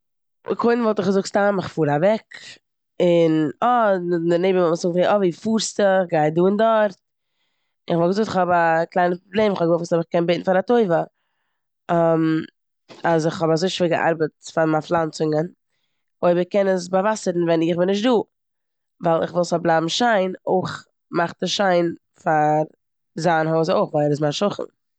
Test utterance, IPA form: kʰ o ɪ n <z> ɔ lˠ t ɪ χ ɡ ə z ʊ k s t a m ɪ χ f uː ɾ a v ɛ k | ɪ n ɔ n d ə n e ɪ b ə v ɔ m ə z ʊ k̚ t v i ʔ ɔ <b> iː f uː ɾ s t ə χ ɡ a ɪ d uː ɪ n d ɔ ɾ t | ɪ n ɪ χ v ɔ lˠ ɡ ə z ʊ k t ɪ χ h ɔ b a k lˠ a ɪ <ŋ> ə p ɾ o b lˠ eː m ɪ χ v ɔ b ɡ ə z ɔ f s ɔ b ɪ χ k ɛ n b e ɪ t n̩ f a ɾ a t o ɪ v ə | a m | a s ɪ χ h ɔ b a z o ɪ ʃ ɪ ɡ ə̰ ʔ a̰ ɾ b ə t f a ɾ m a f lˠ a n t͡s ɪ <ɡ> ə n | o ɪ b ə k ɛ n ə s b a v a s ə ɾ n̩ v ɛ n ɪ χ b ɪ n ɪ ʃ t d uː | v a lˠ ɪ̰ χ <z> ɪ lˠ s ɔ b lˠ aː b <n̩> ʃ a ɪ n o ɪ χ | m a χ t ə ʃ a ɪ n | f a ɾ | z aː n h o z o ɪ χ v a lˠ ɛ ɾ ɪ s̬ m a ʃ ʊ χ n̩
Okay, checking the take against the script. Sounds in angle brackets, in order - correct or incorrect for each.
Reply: incorrect: v, incorrect: v, incorrect: n, incorrect: ŋ, incorrect: v, incorrect: m̩

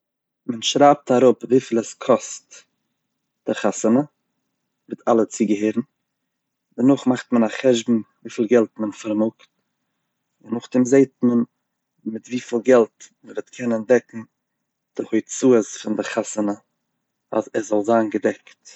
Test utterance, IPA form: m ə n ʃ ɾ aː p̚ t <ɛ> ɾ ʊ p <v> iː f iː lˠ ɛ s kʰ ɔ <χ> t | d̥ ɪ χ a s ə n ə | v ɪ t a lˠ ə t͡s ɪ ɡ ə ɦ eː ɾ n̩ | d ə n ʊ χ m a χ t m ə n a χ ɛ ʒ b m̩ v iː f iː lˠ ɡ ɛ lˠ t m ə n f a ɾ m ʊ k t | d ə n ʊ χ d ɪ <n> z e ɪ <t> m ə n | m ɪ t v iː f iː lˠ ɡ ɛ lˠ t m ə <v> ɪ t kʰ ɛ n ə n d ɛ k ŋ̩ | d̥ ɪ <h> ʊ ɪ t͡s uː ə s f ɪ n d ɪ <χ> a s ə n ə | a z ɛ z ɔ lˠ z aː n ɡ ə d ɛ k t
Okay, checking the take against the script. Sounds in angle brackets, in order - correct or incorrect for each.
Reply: incorrect: a, correct, incorrect: s, incorrect: m, correct, correct, correct, correct

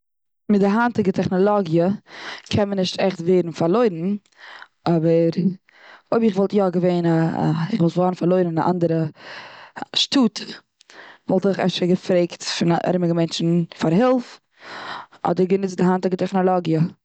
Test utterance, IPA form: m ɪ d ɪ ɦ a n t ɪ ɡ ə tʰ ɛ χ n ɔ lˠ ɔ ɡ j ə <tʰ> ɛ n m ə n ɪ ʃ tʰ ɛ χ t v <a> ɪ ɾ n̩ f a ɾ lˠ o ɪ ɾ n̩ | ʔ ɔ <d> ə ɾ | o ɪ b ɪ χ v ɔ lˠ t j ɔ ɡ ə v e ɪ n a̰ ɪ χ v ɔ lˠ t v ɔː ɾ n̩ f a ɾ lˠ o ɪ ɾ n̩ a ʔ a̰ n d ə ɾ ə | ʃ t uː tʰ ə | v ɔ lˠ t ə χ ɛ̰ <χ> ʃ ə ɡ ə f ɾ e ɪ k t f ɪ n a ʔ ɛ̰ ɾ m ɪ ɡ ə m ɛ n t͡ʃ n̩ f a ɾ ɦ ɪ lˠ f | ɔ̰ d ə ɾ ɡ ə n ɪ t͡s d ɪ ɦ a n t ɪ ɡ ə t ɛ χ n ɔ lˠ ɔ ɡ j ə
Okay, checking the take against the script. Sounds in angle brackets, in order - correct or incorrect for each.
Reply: incorrect: kʰ, incorrect: e, incorrect: b, incorrect: f

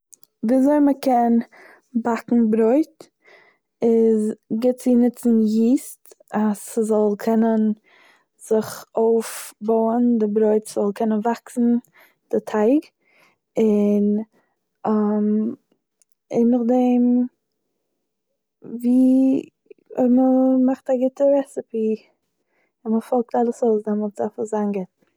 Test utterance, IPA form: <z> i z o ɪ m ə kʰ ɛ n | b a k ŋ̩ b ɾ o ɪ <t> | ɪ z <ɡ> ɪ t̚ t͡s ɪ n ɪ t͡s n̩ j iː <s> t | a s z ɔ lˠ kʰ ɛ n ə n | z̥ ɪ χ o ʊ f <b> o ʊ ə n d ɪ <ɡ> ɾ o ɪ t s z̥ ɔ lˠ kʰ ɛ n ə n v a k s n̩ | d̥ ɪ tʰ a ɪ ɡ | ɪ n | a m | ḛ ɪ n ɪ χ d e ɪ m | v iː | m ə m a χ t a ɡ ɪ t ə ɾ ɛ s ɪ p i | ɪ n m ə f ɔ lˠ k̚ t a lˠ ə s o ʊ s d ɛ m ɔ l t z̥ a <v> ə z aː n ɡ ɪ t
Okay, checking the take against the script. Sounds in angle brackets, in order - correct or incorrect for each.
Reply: incorrect: v, correct, correct, correct, correct, incorrect: b, incorrect: f

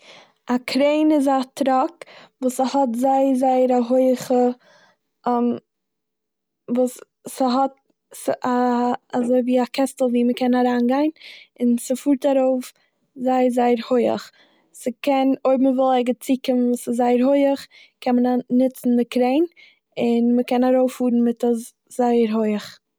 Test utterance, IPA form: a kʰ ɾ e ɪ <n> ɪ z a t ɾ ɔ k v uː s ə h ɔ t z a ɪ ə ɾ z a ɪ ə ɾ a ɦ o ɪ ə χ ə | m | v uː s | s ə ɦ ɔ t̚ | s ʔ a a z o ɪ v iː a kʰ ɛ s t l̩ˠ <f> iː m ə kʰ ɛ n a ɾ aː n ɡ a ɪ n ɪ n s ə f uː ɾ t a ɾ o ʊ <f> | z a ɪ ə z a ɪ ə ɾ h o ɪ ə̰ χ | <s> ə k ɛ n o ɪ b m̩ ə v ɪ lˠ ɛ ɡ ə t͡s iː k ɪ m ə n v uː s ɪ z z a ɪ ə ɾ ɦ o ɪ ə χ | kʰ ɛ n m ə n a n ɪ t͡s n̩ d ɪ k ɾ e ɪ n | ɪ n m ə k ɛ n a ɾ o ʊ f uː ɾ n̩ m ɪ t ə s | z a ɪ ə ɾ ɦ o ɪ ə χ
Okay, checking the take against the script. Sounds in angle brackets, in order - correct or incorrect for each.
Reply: correct, incorrect: v, correct, correct

